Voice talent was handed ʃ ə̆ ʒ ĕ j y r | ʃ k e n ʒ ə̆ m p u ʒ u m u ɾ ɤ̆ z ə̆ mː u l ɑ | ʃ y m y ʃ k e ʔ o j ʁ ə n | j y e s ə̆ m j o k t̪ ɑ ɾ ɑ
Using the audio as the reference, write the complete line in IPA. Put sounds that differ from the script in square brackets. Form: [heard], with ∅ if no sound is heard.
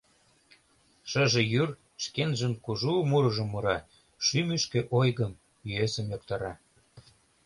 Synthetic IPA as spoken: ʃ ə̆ ʒ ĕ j y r | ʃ k e n ʒ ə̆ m [k] u ʒ u m u ɾ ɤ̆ [ʒ] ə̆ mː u [ɾ] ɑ | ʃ y m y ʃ k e ʔ o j [ɣ] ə [m] | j y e s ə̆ m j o k t̪ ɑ ɾ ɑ